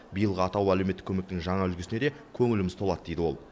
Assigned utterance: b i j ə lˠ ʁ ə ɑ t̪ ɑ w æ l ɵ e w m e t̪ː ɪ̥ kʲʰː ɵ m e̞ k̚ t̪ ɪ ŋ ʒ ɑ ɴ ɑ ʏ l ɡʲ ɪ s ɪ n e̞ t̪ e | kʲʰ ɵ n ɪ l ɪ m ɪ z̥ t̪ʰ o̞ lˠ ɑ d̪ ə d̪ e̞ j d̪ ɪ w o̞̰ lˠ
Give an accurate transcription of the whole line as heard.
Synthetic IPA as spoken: b i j ə lˠ ʁ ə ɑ t̪ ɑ w æ l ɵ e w m e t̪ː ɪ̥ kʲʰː ɵ m e̞ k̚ t̪ ɪ ŋ ʒ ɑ ɴ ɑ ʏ l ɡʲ ɪ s ɪ n e̞ d̪ e | kʲʰ ɵ ŋ ɪ l ɪ m ɪ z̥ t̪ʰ o̞ lˠ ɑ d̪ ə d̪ e̞ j d̪ ɪ w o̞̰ lˠ